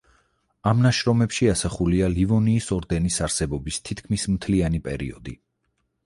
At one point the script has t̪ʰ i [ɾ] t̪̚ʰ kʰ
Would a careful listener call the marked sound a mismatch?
yes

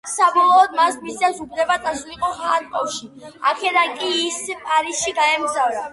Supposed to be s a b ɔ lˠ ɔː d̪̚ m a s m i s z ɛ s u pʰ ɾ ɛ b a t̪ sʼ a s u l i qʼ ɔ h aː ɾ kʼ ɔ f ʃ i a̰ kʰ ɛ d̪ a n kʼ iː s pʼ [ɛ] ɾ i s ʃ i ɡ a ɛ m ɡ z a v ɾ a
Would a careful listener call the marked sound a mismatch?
yes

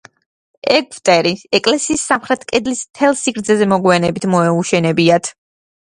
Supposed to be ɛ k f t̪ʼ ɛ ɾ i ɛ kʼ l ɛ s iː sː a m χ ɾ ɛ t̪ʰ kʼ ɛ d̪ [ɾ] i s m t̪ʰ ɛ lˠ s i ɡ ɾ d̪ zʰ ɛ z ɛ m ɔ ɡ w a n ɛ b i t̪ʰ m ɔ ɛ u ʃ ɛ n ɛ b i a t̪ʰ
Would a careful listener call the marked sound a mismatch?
yes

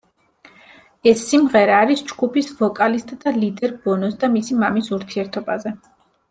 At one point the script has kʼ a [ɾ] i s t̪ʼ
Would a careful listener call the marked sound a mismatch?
yes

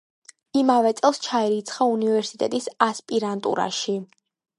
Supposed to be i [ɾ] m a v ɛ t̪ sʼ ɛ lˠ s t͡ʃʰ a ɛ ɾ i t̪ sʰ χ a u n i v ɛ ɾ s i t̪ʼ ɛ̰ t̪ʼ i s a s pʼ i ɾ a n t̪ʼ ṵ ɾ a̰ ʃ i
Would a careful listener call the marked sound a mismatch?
yes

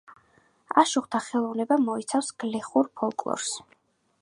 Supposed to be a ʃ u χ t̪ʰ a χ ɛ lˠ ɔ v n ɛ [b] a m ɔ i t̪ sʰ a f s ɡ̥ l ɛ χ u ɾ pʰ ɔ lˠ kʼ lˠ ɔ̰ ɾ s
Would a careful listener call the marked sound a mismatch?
no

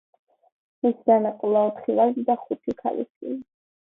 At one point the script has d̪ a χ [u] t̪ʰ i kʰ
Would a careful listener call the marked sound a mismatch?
no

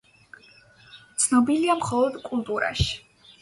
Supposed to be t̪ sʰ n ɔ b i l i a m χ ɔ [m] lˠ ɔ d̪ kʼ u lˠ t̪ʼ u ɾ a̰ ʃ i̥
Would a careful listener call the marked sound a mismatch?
yes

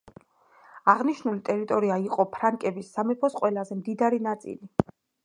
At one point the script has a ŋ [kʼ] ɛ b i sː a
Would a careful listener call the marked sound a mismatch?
no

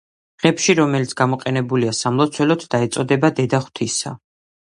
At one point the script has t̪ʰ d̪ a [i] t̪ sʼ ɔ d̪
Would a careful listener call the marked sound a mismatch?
yes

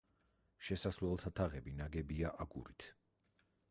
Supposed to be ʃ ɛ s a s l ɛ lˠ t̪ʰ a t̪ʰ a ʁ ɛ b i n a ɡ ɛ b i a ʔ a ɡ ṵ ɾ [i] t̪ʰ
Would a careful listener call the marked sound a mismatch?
no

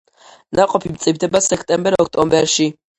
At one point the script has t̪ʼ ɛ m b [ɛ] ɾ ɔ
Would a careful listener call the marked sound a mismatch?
no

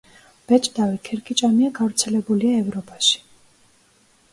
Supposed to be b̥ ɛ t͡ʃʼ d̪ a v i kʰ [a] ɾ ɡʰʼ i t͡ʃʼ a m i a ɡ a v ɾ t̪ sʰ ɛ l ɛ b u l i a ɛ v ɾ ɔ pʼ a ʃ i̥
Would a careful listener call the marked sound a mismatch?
yes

